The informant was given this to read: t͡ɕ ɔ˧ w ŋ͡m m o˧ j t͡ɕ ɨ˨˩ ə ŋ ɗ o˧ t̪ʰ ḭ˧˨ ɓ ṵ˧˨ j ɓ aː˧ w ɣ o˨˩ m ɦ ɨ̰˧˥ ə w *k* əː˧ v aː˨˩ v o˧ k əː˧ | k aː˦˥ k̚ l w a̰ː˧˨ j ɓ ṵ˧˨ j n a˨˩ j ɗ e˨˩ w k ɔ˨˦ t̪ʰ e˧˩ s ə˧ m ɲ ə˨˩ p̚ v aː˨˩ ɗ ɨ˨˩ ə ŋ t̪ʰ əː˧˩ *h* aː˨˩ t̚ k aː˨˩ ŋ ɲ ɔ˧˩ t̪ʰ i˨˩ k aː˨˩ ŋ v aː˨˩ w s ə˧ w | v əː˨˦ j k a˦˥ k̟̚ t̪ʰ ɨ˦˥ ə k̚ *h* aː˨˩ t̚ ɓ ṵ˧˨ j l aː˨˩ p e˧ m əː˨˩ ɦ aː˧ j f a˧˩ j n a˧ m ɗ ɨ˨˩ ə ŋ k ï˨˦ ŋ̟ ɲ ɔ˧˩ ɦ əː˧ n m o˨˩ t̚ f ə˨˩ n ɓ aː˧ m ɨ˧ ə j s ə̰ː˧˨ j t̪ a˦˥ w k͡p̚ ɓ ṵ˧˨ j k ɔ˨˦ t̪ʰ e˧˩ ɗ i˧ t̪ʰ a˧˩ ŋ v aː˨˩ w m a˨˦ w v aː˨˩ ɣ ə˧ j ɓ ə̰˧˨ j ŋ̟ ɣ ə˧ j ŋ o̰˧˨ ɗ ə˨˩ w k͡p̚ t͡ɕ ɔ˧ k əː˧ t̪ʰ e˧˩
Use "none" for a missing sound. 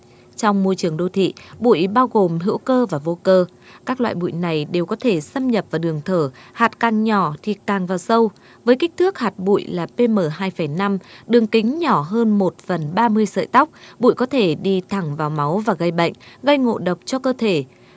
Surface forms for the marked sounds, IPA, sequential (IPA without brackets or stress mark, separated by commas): k, h, h